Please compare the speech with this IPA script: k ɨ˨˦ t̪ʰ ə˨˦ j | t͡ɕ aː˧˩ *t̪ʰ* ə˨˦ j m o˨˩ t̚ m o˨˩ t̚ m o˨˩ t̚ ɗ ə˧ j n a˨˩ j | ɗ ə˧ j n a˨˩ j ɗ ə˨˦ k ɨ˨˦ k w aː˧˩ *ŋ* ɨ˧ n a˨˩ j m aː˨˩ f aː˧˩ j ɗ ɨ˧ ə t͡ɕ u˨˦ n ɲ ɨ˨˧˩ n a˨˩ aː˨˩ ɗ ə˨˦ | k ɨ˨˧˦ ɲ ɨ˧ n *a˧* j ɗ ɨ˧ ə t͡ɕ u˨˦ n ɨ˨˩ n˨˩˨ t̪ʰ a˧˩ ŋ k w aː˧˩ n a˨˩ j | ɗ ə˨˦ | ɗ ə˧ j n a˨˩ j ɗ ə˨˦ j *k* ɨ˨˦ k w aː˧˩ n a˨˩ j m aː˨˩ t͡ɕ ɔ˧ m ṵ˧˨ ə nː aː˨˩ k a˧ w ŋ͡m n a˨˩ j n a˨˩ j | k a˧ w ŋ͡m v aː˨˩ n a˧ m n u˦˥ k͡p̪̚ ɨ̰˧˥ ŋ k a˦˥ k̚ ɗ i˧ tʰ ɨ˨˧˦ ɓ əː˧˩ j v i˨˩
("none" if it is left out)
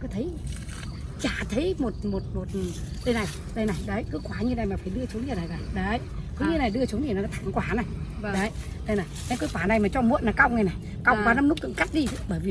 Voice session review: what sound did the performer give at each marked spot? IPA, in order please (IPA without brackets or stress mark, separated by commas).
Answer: t̪ʰ, ɲ, a˨˩, k